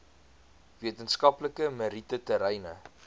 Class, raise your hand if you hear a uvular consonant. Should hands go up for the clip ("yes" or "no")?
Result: no